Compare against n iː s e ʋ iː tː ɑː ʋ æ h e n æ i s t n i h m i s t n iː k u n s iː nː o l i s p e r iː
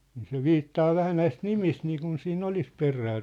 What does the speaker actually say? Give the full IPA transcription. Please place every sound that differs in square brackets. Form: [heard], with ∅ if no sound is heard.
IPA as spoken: n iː s e ʋ iː tː ɑː ʋ æ h [æ] n æ i s t n i [∅] m i s t n iː k u n s iː nː o l i s p e r [æː]